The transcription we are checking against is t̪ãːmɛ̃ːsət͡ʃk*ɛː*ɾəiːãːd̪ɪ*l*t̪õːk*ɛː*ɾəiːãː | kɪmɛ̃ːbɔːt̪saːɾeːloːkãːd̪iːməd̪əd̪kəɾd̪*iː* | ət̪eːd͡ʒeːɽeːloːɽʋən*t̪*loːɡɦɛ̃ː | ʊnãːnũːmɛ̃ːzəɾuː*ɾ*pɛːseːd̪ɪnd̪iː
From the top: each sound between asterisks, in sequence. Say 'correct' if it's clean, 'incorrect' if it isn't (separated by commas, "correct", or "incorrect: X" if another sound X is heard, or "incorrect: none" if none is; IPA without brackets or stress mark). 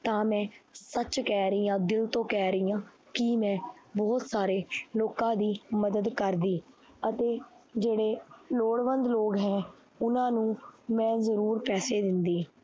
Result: correct, correct, correct, correct, incorrect: d̪, correct